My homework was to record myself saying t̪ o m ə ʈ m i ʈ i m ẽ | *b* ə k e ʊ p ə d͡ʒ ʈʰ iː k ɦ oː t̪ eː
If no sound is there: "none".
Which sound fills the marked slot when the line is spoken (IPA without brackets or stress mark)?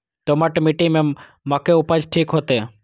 m